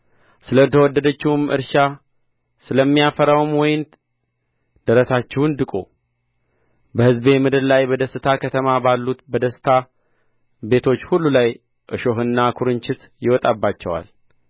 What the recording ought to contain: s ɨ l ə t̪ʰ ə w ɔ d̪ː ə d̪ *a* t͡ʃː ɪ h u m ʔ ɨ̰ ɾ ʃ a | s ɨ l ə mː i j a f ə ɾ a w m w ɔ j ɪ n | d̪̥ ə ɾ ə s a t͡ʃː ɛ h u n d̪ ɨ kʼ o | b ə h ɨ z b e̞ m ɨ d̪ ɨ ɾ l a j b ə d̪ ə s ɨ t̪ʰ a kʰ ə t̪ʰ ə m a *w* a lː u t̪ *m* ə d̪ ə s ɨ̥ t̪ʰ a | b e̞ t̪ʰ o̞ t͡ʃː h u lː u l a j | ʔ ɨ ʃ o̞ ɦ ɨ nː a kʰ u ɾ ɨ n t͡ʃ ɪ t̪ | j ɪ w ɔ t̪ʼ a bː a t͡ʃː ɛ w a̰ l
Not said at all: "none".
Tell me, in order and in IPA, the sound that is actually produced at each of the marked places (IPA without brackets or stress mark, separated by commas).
ə, b, b